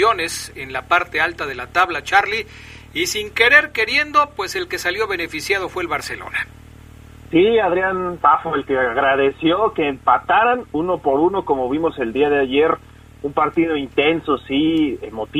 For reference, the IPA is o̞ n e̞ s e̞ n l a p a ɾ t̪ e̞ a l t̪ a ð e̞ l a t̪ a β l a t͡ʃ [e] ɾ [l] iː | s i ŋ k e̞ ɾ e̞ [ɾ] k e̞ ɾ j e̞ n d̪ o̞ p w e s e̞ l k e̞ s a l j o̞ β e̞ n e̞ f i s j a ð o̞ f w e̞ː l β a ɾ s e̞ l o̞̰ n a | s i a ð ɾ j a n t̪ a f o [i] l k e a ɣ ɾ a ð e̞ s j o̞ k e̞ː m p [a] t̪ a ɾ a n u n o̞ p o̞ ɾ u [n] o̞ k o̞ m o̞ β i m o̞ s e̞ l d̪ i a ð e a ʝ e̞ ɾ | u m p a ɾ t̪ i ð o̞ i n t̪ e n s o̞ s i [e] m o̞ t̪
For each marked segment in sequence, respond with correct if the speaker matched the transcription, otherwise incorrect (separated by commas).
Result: incorrect, correct, correct, incorrect, correct, correct, correct